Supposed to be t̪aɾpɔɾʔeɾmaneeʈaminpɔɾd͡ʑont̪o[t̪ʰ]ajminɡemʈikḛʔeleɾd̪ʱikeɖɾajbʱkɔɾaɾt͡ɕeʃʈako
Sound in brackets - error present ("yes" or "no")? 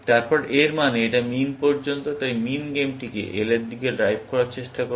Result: yes